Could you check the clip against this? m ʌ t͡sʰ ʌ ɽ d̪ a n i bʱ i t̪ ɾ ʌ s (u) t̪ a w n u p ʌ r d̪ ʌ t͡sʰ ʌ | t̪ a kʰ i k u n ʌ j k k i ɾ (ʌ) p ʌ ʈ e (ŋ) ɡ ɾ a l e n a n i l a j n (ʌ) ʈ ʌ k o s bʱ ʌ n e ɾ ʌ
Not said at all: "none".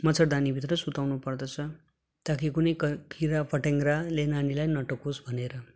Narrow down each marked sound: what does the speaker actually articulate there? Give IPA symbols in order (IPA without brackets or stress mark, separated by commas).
u, a, ŋ, ʌ